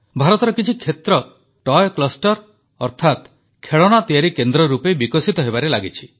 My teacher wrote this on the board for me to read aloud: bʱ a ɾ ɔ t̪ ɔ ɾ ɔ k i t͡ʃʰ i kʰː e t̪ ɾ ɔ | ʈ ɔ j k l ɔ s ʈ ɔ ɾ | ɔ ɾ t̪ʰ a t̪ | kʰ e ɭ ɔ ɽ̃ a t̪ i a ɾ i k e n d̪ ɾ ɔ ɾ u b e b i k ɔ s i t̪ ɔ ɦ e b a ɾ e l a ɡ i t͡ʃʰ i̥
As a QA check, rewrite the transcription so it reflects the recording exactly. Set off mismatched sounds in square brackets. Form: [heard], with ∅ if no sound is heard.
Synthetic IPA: bʱ a ɾ ɔ t̪ ɔ ɾ ɔ k i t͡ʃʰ i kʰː e t̪ ɾ ɔ | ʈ ɔ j k l ɔ s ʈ ɔ ɾ | ɔ ɾ t̪ʰ a t̪ | kʰ e ɭ ɔ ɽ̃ a t̪ i a ɾ i k e n d̪ ɾ ɔ ɾ u [p] e b i k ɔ s i t̪ ɔ ɦ e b a ɾ e l a ɡ i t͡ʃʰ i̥

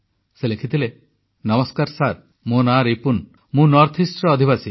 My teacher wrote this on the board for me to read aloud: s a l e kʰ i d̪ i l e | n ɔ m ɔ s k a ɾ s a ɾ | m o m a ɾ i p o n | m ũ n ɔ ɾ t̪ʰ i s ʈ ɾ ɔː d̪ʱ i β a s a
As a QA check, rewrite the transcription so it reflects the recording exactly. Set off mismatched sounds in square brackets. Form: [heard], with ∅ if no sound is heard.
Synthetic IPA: s [e] l e kʰ i [t̪] i l e | n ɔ m ɔ s k a ɾ s a ɾ | m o [n] a ɾ i p [u] n | m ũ n ɔ ɾ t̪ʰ i s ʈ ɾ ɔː d̪ʱ i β a s [i]

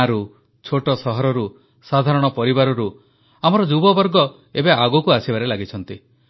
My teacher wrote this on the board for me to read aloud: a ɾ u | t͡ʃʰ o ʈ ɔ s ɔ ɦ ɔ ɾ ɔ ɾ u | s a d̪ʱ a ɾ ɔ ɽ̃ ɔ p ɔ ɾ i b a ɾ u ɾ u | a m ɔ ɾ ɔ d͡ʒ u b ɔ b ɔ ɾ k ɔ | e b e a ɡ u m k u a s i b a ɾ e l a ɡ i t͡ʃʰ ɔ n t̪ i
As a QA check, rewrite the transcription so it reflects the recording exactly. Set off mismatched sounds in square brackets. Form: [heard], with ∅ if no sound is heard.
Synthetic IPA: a ɾ u | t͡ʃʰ o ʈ ɔ s ɔ ɦ ɔ ɾ ɔ ɾ u | s a d̪ʱ a ɾ ɔ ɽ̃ ɔ p ɔ ɾ i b a ɾ [ɔ] ɾ u | a m ɔ ɾ ɔ d͡ʒ u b ɔ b ɔ ɾ [ɡ] ɔ | e b e a ɡ u [∅] k u a s i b a ɾ e l a ɡ i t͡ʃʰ ɔ n t̪ i

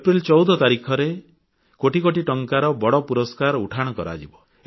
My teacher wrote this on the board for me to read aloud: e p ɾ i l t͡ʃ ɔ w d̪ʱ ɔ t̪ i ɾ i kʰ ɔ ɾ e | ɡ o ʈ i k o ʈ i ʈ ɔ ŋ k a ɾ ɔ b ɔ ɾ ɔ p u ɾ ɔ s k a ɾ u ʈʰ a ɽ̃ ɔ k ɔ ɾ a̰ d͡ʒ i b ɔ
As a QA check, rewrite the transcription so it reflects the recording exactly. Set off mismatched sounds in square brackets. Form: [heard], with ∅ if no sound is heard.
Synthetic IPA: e p ɾ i l t͡ʃ ɔ w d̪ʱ ɔ t̪ [a] ɾ i kʰ ɔ ɾ e | [k] o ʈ i k o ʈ i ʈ ɔ ŋ k a ɾ ɔ b ɔ [ɽ] ɔ p u ɾ ɔ s k a ɾ u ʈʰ a ɽ̃ ɔ k ɔ ɾ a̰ d͡ʒ i b ɔ

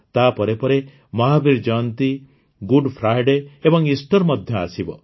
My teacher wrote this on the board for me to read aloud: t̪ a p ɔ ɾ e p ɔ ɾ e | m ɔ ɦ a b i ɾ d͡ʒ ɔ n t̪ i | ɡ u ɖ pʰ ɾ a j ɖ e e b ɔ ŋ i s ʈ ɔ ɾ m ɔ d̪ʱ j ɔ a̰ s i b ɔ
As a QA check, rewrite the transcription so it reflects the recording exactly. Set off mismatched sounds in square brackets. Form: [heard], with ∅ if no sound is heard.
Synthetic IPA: t̪ a p ɔ ɾ e p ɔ ɾ e | m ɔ ɦ a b i ɾ d͡ʒ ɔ n t̪ i | ɡ u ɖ pʰ ɾ a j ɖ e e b ɔ ŋ i s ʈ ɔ ɾ m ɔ d̪ʱ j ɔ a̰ s i b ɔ

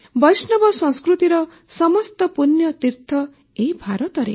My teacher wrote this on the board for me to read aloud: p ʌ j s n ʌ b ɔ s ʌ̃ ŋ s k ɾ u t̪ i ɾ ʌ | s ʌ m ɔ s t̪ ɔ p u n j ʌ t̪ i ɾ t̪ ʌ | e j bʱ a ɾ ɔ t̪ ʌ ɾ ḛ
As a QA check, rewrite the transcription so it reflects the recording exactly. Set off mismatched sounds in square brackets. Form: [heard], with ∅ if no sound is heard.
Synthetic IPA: [b] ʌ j s n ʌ b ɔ s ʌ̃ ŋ s k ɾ u t̪ i ɾ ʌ | s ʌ m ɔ s t̪ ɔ p u n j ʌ t̪ i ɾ [t̪ʰ] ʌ | e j bʱ a ɾ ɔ t̪ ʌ ɾ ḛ

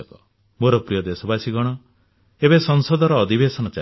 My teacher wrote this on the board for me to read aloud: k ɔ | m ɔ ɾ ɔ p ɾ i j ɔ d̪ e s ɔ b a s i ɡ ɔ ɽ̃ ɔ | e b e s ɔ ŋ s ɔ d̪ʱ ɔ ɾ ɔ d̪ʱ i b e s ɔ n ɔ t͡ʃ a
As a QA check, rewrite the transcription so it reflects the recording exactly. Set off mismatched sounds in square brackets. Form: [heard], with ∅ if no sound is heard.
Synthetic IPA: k ɔ | m [o] ɾ ɔ p ɾ i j ɔ d̪ e s ɔ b a s i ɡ ɔ ɽ̃ ɔ | e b e s ɔ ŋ s ɔ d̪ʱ ɔ ɾ [ɔː] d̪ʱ i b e s ɔ n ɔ t͡ʃ a

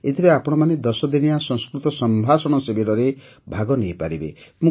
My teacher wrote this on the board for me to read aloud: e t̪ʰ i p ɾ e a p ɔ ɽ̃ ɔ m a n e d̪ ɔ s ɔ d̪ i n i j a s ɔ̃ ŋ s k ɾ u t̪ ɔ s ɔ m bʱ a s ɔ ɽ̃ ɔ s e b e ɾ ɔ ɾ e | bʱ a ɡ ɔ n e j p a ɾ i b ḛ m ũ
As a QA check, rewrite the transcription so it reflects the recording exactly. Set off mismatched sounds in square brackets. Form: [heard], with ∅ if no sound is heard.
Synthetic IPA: e t̪ʰ i [∅] ɾ e a p ɔ ɽ̃ ɔ m a n e d̪ ɔ s ɔ d̪ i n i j a s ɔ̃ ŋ s k ɾ u t̪ ɔ s ɔ m bʱ a s ɔ ɽ̃ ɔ s e b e ɾ ɔ ɾ e | bʱ a ɡ ɔ n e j p a ɾ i b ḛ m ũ

